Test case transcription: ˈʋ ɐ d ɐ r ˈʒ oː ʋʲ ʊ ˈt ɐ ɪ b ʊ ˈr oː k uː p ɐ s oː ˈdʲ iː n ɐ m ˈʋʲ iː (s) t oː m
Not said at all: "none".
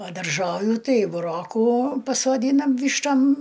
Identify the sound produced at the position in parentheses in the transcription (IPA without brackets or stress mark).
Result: ʃ